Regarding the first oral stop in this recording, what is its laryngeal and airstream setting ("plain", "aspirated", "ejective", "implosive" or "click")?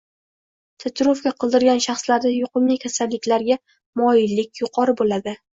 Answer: aspirated